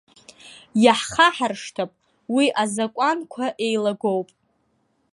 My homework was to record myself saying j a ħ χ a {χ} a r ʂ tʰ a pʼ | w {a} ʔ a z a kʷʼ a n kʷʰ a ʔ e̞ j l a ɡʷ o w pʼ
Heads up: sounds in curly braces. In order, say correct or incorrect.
incorrect: ħ, incorrect: i

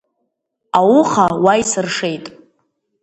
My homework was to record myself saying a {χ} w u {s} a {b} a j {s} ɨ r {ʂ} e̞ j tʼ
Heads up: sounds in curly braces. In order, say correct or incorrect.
incorrect: none, incorrect: χ, incorrect: w, correct, correct

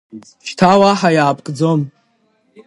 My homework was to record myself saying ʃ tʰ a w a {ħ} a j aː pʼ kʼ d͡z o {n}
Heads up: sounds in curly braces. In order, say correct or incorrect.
correct, incorrect: m

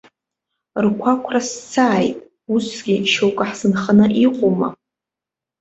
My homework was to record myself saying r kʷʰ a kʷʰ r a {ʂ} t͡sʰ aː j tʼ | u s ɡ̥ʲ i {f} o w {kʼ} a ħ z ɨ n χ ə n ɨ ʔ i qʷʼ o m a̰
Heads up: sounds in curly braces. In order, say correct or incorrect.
incorrect: s, incorrect: ʃ, correct

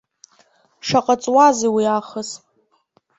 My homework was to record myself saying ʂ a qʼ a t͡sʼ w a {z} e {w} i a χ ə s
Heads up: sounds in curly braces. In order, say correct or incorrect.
correct, correct

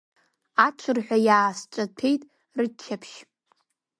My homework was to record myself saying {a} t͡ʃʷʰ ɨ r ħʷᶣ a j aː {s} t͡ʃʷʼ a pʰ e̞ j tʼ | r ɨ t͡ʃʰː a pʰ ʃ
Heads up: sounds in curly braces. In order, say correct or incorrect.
correct, correct

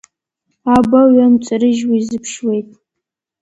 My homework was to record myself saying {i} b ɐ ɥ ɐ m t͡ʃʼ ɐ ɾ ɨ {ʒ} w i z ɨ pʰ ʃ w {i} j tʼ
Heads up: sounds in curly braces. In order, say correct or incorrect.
incorrect: a, correct, incorrect: e

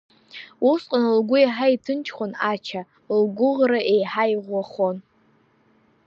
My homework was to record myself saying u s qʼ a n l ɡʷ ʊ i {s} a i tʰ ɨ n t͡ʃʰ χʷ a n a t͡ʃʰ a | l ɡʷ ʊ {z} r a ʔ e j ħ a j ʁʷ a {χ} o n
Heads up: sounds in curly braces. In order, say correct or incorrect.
incorrect: ħ, incorrect: ʁ, correct

